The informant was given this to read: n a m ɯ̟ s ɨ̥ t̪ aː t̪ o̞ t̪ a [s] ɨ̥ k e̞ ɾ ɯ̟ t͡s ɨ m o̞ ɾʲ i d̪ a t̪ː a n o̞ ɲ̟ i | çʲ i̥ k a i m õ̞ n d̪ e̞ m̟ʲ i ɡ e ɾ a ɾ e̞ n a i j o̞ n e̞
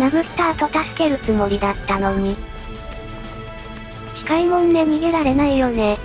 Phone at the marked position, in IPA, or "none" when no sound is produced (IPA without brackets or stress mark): s